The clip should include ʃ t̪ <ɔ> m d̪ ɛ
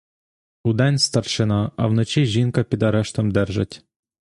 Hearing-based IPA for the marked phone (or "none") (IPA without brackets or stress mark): ɔ